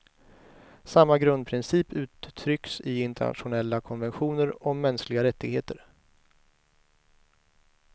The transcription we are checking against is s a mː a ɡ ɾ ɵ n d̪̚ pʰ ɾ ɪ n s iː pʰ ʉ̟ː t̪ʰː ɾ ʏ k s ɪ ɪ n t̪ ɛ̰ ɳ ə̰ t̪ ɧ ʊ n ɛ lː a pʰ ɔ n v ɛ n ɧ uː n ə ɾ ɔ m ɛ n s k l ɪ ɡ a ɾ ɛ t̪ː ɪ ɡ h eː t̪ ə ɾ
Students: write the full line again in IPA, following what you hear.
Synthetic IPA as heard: s a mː a ɡ ɾ ɵ n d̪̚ pʰ ɾ ɪ n s iː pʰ ʉ̟ː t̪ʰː ɾ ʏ k s ɪ ɪ n t̪ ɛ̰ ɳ a̰ t̪ ɧ ʊ n ɛ lː a kʰ ɔ n v ɛ n ɧ uː n ə ɾ ɔ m ɛ n s k l ɪ ɡ a ɾ ɛ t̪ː ɪ ɡ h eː t̪ ə ɾ